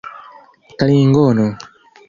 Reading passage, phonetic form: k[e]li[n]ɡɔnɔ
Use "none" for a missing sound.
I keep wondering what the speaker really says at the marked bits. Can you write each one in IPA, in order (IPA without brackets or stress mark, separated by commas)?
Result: a, ŋ